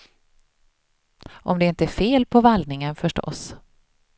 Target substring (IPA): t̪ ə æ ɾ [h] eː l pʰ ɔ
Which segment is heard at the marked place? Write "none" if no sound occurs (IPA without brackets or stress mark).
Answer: f